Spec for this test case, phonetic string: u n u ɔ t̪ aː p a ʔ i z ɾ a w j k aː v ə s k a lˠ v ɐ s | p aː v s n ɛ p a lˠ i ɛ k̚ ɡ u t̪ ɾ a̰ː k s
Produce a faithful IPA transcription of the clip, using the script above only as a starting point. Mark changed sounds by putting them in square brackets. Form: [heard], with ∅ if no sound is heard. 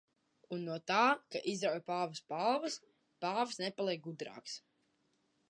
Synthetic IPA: u [nː] u ɔ t̪ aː [k] a ʔ i z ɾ a w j [p] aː v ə s [p] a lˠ v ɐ s | p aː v s n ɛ p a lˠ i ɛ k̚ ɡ u [d̪] ɾ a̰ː k s